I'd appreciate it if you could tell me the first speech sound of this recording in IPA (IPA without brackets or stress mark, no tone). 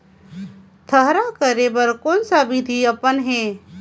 t̪ʰ